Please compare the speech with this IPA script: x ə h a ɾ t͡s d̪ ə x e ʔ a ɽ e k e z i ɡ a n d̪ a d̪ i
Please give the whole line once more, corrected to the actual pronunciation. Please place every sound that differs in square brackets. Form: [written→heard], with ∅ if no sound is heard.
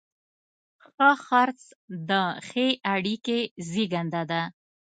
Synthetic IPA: x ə [h→x] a ɾ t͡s d̪ ə x e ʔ a ɽ [e→i] k e z i ɡ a n d̪ a d̪ [i→a]

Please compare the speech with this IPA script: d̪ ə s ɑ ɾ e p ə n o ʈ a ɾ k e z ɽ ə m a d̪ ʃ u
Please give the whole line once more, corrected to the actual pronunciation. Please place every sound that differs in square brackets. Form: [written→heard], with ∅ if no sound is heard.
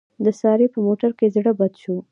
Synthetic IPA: d̪ ə s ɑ ɾ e p ə [n→m] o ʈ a ɾ k e z ɽ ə [m→b] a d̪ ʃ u

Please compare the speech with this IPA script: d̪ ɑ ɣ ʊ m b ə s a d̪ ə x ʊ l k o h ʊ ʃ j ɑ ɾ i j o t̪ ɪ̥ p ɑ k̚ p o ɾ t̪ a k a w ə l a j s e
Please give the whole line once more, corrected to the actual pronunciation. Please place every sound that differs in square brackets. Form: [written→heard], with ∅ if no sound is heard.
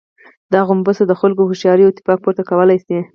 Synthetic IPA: d̪ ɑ ɣ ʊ m b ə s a d̪ ə x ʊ l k o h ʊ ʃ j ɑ ɾ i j o t̪ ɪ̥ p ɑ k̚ p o ɾ t̪ a k a w ə l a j s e

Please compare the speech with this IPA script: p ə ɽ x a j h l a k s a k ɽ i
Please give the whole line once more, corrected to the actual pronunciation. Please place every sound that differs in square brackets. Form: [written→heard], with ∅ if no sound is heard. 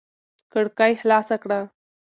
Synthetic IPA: [p→k] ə ɽ [x→k] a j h l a [k→∅] s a k ɽ [i→a]

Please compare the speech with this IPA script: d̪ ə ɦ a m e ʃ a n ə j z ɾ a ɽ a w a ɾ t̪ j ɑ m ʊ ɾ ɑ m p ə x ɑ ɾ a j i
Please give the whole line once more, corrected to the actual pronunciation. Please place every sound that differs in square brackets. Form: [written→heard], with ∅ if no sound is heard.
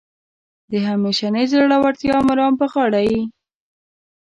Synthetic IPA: d̪ ə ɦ a m e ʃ a n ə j z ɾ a ɽ a w a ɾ t̪ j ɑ m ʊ ɾ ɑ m p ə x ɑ [ɾ→ɽ] a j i

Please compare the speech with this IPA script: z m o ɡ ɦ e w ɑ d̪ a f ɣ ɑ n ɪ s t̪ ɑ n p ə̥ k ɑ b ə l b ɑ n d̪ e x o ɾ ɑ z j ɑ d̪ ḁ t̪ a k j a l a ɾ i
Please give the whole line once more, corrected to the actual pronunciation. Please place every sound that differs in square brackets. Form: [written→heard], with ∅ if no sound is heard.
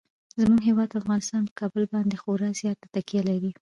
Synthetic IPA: z m [o→u] ɡ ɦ e w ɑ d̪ a f ɣ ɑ n ɪ s t̪ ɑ n p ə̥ k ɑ b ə l b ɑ n d̪ e x o ɾ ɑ z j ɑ [d̪→t̪] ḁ t̪ a k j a l a ɾ i

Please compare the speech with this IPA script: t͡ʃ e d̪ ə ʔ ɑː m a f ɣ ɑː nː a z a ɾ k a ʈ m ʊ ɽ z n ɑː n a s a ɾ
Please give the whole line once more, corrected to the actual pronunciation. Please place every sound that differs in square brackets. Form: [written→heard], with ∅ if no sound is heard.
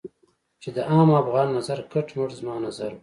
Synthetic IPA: t͡ʃ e d̪ ə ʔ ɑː m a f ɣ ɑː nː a z a ɾ k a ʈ m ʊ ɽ z [n→m] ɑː n a [s→z] a ɾ

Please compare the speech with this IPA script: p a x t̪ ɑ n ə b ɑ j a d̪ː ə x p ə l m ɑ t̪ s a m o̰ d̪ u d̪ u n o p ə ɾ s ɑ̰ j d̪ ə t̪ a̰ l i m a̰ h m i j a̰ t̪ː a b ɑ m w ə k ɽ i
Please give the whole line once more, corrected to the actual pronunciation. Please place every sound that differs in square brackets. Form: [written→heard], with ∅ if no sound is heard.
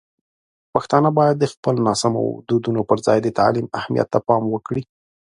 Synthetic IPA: p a x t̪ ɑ n ə b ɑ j a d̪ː ə x p ə l [m→n] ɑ [t̪→∅] s a m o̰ d̪ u d̪ u n o p ə ɾ [s→z] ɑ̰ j d̪ ə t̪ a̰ l i m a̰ h m i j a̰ t̪ː a [b→p] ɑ m w ə k ɽ i

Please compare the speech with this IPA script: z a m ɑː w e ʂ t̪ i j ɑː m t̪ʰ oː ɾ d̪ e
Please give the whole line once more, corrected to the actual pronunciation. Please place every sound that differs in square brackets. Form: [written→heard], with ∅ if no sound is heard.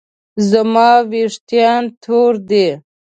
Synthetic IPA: z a m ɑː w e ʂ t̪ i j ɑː [m→n] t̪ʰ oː ɾ d̪ e

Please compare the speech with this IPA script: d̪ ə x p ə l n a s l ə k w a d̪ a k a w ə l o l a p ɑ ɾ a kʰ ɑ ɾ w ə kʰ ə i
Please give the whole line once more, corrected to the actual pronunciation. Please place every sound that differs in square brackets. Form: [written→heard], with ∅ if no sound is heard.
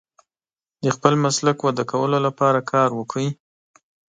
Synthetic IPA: d̪ ə x p ə l [n→m] a s l [ə→a] k w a d̪ a k a w ə l o l a p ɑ ɾ a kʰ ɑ ɾ w ə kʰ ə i

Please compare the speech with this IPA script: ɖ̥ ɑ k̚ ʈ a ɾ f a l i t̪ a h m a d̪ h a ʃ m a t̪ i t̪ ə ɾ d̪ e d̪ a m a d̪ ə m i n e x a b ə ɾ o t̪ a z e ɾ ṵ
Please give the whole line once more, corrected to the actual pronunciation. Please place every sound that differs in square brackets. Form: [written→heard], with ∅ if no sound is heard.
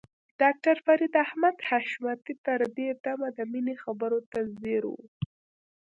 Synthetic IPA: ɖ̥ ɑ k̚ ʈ a ɾ f a [l→ɾ] i [t̪→d̪] a h m a d̪ h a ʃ m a t̪ i t̪ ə ɾ d̪ e d̪ a m a d̪ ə m i n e x a b ə ɾ o t̪ a z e ɾ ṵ

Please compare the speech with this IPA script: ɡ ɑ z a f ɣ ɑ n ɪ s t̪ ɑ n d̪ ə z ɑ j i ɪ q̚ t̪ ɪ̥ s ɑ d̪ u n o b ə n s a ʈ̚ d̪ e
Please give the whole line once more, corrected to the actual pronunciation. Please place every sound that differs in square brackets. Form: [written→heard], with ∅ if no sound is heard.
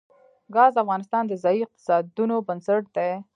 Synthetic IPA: ɡ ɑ z a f ɣ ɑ n ɪ s t̪ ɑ n d̪ ə z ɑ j i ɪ q̚ t̪ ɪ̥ s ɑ d̪ u n o b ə n s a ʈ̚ d̪ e

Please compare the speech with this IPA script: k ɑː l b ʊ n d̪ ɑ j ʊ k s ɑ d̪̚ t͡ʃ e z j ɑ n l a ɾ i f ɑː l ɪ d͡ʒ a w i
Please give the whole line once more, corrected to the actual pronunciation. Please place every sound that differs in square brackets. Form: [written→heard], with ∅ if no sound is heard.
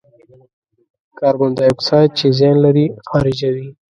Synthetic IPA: k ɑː [l→ɾ] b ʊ n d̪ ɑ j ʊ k s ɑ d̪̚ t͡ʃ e z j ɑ n l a ɾ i [f→x] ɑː [l→ɾ] ɪ d͡ʒ a w i

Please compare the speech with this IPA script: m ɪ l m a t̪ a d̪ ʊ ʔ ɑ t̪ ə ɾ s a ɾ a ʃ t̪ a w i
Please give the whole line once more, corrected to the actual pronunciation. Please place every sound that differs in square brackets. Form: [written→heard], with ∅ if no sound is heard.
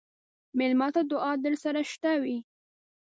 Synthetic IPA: m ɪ l m [a→ɑ] t̪ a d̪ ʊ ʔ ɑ [t̪→d̪] ə ɾ s a ɾ a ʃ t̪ a w i

